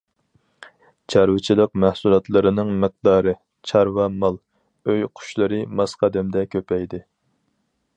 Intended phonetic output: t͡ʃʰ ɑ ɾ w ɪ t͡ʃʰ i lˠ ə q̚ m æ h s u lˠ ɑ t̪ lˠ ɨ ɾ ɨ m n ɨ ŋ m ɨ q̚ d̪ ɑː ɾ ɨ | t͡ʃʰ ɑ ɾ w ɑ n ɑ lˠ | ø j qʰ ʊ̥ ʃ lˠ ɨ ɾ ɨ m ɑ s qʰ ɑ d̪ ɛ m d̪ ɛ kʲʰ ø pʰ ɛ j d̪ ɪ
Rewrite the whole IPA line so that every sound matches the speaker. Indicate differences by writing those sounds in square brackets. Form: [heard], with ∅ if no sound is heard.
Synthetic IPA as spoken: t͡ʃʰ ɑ ɾ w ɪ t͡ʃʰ i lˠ ə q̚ m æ h s u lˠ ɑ t̪ lˠ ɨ ɾ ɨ [∅] n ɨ ŋ m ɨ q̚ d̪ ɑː ɾ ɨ | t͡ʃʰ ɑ ɾ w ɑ [m] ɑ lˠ | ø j qʰ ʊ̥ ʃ lˠ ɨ ɾ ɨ m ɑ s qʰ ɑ d̪ ɛ m d̪ ɛ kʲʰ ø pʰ ɛ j d̪ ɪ